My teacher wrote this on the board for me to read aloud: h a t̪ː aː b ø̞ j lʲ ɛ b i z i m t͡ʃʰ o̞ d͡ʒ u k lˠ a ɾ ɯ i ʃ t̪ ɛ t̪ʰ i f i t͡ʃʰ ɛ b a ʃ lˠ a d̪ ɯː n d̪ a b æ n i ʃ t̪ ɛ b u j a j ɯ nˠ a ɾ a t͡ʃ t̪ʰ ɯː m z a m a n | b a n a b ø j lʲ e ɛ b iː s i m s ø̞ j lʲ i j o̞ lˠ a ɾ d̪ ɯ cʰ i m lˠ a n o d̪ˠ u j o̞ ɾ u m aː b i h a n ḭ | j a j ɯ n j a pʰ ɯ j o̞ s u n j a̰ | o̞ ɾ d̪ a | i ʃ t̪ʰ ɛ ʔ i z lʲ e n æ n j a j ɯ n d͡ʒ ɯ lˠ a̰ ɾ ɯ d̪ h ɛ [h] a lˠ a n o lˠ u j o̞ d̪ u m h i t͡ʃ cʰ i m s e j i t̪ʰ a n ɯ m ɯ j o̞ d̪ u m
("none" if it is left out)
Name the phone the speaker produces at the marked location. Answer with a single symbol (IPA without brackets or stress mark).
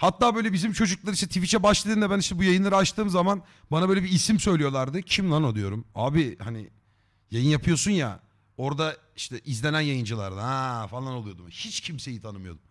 f